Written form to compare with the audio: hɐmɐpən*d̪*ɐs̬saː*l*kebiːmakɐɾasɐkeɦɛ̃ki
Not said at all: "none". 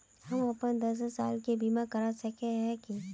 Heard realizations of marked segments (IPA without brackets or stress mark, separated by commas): d̪, l